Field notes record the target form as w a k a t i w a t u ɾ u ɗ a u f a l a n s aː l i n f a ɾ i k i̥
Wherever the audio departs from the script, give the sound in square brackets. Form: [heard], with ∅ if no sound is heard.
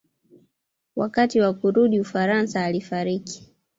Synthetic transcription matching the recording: w a k a t i w a [k] u ɾ u ɗ [i] u f a [ɾ] a n s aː l i [∅] f a ɾ i k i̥